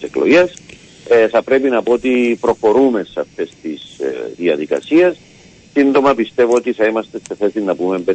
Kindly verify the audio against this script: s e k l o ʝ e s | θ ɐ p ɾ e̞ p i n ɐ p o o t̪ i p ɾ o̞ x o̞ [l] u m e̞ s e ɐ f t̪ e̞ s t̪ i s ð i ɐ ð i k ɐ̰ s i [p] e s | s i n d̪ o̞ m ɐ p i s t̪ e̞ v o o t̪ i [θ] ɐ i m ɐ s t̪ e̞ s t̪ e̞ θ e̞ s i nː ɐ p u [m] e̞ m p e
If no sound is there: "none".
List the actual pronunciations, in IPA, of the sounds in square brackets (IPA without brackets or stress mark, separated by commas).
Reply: ɾ, none, θ, m